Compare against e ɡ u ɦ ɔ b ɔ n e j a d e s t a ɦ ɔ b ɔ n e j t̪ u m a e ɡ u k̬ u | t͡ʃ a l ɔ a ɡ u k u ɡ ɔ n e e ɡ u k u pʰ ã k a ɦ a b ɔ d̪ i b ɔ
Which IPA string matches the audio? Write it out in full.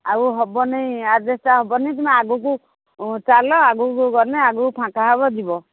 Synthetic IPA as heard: a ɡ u ɦ ɔ b ɔ n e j a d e s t a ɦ ɔ b ɔ n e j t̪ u m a a ɡ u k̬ u | t͡ʃ a l ɔ a ɡ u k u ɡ ɔ n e a ɡ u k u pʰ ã k a ɦ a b ɔ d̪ i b ɔ